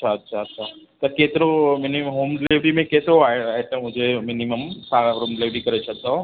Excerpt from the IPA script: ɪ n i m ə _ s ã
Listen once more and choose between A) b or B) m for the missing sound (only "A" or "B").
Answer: B